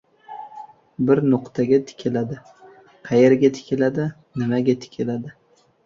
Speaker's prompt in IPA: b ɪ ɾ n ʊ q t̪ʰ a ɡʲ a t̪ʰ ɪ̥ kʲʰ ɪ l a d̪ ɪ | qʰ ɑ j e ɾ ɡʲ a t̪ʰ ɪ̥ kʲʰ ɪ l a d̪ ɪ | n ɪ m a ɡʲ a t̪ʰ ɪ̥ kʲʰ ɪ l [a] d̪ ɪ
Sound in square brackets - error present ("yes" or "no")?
no